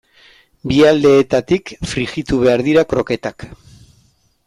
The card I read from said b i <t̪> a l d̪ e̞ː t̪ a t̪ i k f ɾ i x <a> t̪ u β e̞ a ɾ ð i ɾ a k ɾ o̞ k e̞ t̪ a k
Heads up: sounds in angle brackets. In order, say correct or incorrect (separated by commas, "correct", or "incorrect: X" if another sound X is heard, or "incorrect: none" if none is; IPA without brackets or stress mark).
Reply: incorrect: none, incorrect: i